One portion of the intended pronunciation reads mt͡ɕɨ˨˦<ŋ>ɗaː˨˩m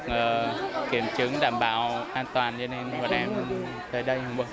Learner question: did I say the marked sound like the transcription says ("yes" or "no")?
yes